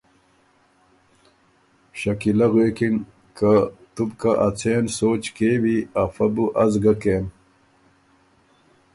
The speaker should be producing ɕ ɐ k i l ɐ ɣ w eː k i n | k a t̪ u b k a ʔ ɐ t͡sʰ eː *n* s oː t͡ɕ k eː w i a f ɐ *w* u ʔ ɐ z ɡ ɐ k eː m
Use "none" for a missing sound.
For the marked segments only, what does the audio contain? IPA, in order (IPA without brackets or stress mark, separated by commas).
n, b